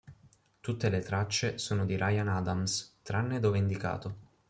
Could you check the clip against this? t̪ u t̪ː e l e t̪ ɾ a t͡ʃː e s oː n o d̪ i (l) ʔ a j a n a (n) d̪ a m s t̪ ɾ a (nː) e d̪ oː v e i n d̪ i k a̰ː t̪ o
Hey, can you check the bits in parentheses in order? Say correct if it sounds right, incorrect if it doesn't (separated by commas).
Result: incorrect, incorrect, correct